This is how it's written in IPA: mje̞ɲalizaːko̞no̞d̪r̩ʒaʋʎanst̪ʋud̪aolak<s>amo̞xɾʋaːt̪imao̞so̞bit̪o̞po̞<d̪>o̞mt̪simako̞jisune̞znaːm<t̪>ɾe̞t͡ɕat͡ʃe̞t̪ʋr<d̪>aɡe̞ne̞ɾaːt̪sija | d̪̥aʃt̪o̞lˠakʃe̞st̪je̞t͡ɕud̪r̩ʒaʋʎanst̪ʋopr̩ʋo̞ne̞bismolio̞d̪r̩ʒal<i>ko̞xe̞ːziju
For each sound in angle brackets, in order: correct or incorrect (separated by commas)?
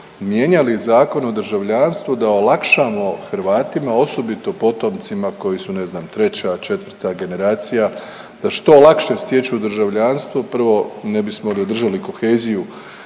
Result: incorrect, incorrect, correct, incorrect, correct